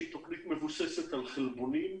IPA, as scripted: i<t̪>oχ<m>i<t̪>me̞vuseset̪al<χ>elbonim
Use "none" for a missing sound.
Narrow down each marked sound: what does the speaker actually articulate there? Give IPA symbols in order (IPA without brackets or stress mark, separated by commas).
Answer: t̪, n, t̪, χ